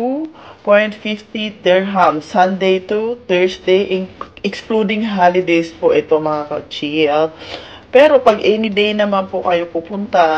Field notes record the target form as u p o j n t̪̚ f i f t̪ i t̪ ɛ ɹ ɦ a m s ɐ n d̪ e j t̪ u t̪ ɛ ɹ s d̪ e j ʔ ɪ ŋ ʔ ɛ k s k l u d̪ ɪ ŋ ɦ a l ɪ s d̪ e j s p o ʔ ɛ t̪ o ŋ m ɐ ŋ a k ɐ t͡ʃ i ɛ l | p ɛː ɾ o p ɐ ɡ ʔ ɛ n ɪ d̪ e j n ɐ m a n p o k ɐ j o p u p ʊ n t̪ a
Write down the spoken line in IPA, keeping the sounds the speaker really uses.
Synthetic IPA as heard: u p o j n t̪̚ f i f t̪ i t̪ ɛ ɹ ɦ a m s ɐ n d̪ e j t̪ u t̪ ɛ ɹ s d̪ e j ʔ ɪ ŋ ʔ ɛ k s k l u d̪ ɪ ŋ ɦ a l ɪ d̪ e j s p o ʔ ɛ t̪ o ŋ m ɐ ŋ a k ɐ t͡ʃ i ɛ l | p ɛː ɾ o p ɐ ɡ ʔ ɛ n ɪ d̪ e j n ɐ m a n p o k ɐ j o p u p ʊ n t̪ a